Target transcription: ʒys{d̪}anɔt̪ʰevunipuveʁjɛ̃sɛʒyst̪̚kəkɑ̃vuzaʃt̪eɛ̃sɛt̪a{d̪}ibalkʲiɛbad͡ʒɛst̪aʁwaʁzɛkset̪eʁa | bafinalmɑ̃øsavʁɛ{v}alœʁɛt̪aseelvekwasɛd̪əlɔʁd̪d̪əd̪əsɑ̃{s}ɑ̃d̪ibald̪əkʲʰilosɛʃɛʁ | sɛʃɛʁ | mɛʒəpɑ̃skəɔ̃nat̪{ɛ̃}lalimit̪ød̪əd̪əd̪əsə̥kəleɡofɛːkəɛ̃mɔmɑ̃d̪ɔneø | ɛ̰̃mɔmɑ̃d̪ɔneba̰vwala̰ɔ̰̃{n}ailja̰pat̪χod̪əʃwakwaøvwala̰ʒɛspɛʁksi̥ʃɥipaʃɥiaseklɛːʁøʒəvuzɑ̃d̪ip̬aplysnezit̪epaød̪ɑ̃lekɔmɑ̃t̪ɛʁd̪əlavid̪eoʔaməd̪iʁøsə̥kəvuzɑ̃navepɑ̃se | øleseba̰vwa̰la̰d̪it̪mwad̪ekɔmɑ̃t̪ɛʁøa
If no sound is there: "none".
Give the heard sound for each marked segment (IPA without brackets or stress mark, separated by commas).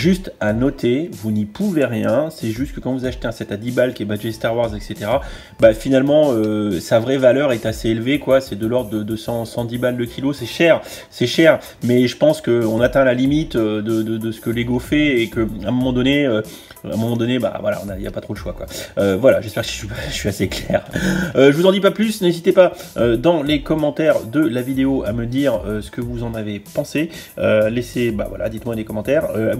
t̪, d̪, v, s, ɛ̃, n